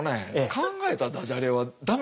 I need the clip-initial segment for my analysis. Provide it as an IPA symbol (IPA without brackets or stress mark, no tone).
n